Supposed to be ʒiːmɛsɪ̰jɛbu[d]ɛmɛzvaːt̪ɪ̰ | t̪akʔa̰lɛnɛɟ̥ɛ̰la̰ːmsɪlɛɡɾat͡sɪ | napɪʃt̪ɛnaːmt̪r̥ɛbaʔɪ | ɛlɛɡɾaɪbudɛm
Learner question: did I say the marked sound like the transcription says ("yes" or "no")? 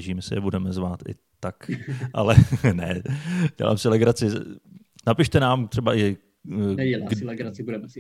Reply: yes